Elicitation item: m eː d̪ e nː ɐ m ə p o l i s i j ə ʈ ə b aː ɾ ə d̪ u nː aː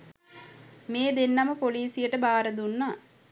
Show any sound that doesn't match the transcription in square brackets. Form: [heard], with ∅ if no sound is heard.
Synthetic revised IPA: m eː d̪ e nː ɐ m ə p o l [iː] s i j ə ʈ ə b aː ɾ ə d̪ u nː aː